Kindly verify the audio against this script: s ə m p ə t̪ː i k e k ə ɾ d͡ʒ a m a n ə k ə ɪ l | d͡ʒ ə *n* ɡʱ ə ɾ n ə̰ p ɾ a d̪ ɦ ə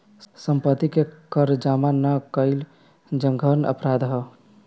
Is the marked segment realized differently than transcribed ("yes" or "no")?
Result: yes